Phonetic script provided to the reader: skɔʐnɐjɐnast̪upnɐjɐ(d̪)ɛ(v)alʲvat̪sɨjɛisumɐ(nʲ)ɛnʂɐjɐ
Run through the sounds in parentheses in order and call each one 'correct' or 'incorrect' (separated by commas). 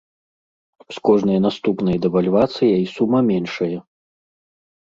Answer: correct, correct, incorrect